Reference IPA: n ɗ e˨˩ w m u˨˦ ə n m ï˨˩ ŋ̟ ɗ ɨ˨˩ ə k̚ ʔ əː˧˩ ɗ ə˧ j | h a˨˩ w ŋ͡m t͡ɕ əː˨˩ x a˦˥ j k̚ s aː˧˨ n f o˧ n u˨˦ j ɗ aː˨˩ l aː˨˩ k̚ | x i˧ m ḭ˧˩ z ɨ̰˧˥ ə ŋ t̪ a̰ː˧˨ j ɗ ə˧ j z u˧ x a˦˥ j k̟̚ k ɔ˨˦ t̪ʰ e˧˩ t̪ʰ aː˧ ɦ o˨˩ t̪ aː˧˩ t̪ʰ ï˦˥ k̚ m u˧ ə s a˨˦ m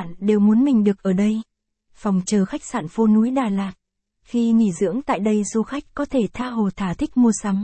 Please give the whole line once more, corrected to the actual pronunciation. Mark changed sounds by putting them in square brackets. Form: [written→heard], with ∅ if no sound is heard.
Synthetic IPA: n ɗ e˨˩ w m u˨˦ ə n m ï˨˩ ŋ̟ ɗ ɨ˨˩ ə k̚ ʔ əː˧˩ ɗ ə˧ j | [h→f] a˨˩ w ŋ͡m t͡ɕ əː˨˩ x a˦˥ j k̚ s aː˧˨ n f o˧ n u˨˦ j ɗ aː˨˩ l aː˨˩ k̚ | x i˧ [m→ŋ] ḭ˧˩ z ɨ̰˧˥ ə ŋ t̪ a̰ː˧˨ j ɗ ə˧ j z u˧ x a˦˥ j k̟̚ k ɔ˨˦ t̪ʰ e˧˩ t̪ʰ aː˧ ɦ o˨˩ [t̪→t̪ʰ] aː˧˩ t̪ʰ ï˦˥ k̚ m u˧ ə s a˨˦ m